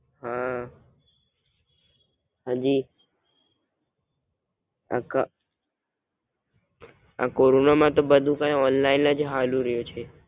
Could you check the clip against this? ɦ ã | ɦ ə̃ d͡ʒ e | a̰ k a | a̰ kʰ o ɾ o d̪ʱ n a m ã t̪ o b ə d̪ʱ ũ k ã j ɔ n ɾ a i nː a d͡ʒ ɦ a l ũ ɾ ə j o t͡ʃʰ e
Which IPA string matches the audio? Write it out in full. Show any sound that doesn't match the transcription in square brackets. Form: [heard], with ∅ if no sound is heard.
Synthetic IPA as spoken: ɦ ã | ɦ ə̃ d͡ʒ [i] | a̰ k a | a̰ [k] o ɾ o [∅] n a m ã t̪ o b ə d̪ʱ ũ k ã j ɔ n [l] a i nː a d͡ʒ ɦ a l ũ ɾ ə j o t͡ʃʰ e